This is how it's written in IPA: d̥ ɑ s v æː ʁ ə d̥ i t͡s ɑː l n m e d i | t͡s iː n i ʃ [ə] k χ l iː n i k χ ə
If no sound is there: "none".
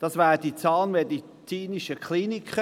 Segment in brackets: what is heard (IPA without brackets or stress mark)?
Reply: ə